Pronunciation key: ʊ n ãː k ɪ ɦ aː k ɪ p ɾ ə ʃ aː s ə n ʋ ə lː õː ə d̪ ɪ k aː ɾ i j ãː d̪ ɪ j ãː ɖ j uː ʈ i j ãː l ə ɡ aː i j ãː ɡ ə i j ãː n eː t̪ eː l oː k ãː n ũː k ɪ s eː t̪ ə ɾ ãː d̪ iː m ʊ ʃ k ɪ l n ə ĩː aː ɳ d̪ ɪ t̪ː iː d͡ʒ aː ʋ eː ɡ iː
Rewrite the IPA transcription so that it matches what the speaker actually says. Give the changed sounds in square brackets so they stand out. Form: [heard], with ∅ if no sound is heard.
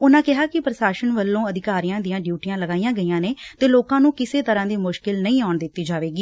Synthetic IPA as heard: ʊ n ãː k ɪ ɦ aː k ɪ p ɾ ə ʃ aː [ʃ] ə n ʋ ə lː õː ə d̪ ɪ k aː ɾ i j ãː d̪ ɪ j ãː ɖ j uː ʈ i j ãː l ə ɡ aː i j ãː ɡ ə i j ãː n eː t̪ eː l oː k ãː n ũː k ɪ s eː t̪ ə ɾ ãː d̪ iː m ʊ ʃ k ɪ l n ə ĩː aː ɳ d̪ ɪ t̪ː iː d͡ʒ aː ʋ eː ɡ iː